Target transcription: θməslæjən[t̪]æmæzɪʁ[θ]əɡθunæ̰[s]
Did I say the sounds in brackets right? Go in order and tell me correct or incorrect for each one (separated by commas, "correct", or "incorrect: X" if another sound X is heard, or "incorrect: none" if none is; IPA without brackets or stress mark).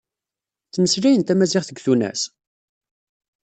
correct, correct, correct